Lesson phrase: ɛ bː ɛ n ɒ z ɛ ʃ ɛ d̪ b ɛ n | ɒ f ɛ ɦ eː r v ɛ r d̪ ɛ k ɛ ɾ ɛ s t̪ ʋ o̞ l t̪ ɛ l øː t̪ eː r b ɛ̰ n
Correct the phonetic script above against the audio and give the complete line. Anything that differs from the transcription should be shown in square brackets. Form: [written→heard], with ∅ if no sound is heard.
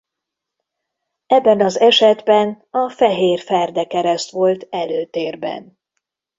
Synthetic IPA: ɛ bː ɛ n ɒ z ɛ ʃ ɛ d̪ b ɛ n | ɒ f ɛ ɦ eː r [v→f] ɛ r d̪ ɛ k ɛ ɾ ɛ s t̪ ʋ o̞ l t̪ ɛ l øː t̪ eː r b ɛ̰ n